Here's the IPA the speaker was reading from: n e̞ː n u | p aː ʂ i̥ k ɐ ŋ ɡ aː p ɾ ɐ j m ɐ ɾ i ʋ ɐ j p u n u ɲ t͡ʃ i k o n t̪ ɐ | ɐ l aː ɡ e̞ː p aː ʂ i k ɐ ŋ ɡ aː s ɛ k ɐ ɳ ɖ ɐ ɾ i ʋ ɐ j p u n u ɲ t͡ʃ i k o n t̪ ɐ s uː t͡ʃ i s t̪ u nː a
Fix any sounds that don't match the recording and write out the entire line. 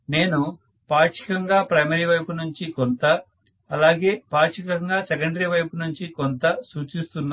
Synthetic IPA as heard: n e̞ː n u | p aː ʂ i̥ k ɐ ŋ ɡ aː p ɾ ɐ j m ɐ ɾ i ʋ ɐ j p u n u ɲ t͡ʃ i k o n t̪ ɐ | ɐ l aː ɡ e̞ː p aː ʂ i k ɐ ŋ ɡ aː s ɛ k ɐ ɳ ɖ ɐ ɾ i ʋ ɐ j p u n u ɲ t͡ʃ i k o n t̪ ɐ s uː t͡ʃ i s t̪ u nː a